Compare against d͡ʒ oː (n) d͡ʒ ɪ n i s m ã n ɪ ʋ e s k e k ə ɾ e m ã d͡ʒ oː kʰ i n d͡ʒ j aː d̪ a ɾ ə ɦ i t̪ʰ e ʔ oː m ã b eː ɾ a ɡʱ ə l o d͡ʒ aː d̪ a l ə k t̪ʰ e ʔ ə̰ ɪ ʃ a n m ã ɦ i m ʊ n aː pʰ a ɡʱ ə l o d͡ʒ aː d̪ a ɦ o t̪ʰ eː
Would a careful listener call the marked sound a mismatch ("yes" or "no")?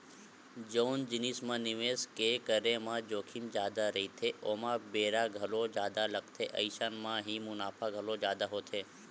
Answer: no